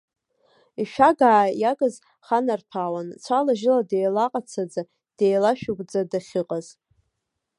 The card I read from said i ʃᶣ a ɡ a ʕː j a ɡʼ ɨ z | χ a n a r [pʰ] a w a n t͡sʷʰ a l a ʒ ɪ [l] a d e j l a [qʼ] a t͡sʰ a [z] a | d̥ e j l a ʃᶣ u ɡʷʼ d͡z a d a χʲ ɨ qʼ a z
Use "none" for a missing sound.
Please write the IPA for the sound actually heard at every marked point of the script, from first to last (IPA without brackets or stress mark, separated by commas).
pʰ, l, qʼ, d͡z